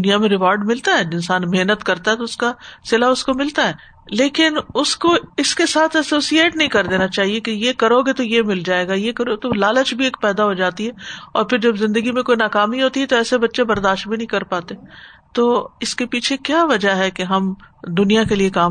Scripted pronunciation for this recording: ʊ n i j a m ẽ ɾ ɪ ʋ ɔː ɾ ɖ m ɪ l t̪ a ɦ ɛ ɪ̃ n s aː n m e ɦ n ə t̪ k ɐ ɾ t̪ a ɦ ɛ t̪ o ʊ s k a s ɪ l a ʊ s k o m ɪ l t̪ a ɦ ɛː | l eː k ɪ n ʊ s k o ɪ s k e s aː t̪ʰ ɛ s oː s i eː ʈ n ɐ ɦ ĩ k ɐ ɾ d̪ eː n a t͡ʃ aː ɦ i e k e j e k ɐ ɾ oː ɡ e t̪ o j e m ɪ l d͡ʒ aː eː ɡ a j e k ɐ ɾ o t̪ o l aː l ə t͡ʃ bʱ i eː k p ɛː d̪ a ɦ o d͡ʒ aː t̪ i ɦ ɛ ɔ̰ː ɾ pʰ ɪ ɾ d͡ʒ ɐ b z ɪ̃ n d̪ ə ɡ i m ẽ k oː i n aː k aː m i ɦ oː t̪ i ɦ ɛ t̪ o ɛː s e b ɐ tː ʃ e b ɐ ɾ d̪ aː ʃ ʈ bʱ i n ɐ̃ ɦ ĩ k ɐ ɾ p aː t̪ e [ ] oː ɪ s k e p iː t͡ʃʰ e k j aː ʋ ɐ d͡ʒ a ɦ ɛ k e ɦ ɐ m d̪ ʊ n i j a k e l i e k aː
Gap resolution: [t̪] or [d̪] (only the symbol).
t̪